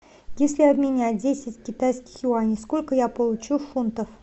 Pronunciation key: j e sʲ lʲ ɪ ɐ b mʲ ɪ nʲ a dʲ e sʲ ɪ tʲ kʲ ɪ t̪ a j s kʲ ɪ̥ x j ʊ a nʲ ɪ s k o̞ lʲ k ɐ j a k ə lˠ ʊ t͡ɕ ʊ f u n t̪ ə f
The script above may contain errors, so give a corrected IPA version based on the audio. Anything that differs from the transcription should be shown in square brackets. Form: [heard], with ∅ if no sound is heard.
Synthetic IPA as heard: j e sʲ lʲ ɪ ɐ b mʲ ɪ nʲ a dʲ e sʲ ɪ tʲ kʲ ɪ t̪ a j s kʲ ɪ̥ x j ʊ a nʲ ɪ s k o̞ lʲ k [ə] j a [p] ə lˠ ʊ t͡ɕ [u] f u n t̪ ə f